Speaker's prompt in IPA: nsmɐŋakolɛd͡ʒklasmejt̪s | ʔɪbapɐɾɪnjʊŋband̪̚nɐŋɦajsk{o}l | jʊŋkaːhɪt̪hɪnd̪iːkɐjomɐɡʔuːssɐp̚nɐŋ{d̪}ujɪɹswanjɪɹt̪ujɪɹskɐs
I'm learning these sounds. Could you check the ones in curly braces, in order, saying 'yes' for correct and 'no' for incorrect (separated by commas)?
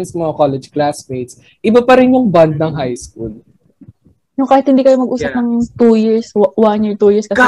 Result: no, no